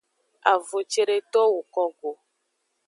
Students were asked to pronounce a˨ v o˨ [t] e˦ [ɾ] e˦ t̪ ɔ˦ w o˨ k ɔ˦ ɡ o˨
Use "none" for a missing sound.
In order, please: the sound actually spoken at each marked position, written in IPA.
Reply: t͡ʃ, ɾ

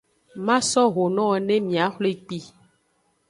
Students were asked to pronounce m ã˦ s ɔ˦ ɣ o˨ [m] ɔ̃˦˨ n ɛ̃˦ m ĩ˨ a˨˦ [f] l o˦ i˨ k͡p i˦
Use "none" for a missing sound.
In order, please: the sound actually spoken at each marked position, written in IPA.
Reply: n, x

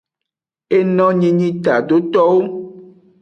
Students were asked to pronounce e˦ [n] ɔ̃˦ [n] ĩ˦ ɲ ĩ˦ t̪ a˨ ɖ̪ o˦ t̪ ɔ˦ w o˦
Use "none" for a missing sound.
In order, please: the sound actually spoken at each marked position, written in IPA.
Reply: n, ɲ

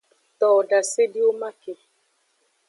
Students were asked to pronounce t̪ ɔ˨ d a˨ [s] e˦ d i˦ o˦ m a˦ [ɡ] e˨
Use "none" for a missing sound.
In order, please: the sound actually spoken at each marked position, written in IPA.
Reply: s, k

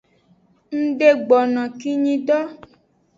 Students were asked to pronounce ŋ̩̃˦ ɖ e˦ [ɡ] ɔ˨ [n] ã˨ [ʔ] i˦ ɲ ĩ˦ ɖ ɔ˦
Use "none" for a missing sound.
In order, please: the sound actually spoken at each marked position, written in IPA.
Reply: ɡ͡b, n, k

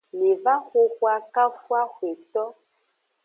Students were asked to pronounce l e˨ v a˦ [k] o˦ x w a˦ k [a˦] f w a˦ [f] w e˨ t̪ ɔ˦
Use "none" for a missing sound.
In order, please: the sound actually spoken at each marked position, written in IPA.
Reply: x, a˦, x

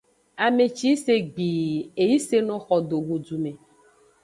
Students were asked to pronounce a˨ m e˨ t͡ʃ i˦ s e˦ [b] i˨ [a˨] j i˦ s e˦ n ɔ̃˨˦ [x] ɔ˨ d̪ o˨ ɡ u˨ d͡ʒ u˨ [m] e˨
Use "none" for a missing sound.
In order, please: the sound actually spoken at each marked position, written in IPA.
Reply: ɡ͡b, e˨, x, m

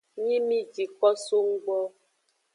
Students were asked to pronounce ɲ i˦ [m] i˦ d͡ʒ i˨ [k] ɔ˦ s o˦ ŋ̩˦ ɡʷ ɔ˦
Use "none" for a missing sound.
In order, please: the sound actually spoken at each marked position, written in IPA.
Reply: m, k

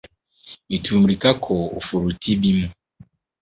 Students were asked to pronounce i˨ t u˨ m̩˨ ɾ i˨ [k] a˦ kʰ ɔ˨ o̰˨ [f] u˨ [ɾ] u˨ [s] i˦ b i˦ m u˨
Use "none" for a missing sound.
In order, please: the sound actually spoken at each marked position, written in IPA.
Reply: k, f, ɾ, t

